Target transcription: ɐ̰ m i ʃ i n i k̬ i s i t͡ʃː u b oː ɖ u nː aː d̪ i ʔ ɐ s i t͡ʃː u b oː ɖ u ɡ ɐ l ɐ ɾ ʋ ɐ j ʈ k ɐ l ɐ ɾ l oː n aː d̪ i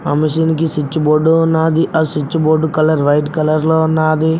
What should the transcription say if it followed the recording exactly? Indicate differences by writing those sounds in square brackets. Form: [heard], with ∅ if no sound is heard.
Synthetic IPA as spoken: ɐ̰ m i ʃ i n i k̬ i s i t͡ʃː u b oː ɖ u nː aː d̪ i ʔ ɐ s i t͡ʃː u b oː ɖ u [k] ɐ l ɐ ɾ ʋ ɐ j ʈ k ɐ l ɐ ɾ l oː n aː d̪ i